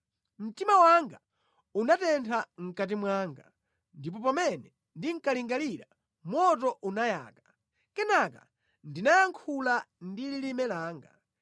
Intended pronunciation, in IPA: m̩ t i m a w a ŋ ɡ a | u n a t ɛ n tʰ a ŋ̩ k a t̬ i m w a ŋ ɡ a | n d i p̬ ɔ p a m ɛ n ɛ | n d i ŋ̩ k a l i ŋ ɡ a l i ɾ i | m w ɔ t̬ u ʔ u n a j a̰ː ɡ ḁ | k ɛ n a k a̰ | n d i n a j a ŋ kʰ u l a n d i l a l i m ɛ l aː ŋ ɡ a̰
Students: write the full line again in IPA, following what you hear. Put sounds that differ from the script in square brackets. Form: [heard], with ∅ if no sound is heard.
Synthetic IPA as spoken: m̩ t i m a w a ŋ ɡ a | u n a t ɛ n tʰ a ŋ̩ k a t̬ i m w a ŋ ɡ a | n d i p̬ ɔ p a m ɛ n ɛ | n d i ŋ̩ k a l i ŋ ɡ a l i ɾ [a] | m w ɔ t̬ [ɔ] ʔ u n a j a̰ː [k] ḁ | k ɛ n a k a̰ | n d i n a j a ŋ kʰ u l a n d i l [i] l i m ɛ l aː ŋ ɡ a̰